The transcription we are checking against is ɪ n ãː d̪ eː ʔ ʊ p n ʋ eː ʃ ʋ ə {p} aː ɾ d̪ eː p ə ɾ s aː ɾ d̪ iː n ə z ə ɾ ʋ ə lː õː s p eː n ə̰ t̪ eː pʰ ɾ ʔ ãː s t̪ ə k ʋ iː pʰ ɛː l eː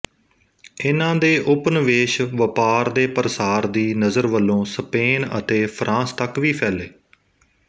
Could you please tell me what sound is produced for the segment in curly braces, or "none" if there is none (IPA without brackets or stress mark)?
p